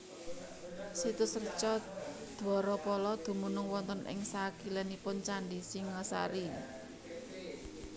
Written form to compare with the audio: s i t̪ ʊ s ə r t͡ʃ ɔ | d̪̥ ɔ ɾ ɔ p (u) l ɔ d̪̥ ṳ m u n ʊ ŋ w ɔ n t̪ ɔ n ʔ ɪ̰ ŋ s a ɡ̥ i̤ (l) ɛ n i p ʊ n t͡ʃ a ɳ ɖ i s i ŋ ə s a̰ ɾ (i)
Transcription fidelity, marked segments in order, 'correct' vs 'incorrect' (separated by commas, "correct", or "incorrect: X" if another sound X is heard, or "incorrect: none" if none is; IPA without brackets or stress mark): incorrect: ɔ, correct, correct